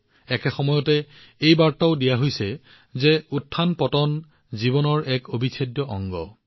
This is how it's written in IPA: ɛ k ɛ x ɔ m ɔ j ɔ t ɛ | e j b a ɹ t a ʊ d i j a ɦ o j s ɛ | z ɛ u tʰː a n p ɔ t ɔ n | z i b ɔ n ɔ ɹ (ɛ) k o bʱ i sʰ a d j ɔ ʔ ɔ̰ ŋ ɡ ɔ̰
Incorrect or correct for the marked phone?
correct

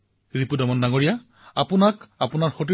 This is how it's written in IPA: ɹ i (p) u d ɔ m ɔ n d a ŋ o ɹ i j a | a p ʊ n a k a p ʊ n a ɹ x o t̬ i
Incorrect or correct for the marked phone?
correct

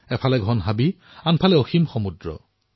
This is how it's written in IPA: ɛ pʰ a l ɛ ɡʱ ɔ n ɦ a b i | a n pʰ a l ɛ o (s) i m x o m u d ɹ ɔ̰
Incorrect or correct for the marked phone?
incorrect: x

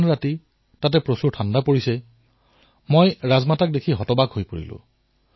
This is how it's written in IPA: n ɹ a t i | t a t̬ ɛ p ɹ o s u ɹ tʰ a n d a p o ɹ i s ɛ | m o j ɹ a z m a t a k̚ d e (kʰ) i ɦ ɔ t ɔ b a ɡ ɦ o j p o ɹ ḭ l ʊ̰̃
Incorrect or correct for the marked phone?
correct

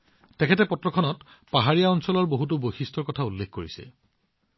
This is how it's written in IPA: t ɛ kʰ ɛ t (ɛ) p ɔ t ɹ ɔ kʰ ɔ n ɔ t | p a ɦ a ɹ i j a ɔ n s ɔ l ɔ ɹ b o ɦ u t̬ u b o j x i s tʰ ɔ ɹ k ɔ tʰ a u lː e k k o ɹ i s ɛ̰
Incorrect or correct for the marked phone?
correct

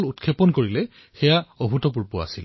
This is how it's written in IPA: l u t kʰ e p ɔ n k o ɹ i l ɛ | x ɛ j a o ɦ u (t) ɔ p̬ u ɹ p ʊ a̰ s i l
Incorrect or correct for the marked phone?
correct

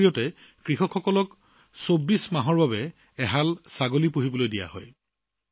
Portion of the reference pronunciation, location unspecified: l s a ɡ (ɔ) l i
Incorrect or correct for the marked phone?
incorrect: o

